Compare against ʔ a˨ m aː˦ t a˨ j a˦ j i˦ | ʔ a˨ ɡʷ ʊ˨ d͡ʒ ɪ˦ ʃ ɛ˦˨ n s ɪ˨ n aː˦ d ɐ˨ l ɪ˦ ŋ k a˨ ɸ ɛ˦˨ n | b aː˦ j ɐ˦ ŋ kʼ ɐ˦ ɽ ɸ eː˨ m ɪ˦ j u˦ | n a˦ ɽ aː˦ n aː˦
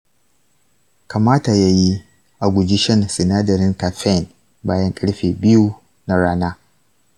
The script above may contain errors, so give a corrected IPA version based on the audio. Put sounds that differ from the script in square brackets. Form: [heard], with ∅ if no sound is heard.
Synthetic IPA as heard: [k] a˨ m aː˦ t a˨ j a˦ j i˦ | ʔ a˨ ɡʷ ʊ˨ d͡ʒ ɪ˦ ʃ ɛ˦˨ n s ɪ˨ n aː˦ d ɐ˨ [ɾ] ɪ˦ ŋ k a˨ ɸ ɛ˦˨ n | b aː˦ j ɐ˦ ŋ kʼ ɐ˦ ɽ ɸ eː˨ [b] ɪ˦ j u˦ | n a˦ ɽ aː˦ n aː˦